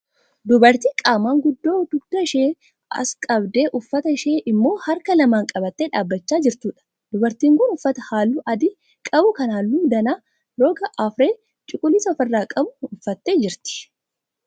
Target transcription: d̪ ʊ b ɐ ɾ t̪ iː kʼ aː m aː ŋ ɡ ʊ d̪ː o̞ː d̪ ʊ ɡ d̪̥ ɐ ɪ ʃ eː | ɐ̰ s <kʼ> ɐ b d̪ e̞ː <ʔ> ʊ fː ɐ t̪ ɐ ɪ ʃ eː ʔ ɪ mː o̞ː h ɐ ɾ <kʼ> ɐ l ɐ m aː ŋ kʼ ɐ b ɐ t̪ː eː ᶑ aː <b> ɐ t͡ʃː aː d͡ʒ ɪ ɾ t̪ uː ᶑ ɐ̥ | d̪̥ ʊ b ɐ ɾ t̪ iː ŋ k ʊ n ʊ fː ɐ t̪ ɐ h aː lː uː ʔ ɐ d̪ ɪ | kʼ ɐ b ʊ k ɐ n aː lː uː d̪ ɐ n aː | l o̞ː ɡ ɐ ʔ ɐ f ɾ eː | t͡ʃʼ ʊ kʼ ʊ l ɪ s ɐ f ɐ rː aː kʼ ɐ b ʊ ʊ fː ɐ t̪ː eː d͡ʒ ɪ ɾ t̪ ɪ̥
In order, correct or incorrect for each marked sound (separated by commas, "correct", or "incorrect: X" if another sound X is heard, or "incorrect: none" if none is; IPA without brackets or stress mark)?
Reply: correct, correct, incorrect: k, incorrect: bː